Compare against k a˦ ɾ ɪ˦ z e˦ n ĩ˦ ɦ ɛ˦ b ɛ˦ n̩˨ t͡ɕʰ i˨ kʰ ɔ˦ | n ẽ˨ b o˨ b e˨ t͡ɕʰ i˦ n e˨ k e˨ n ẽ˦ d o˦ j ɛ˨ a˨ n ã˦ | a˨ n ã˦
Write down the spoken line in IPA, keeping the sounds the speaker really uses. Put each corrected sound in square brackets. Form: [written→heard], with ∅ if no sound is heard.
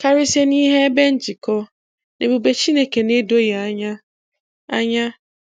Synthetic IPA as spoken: k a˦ ɾ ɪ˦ [z→s] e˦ n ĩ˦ ɦ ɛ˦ b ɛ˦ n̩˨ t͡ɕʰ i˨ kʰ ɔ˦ | n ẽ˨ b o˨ b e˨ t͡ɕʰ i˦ n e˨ k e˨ n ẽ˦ d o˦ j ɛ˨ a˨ [n→ɲ] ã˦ | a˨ [n→ɲ] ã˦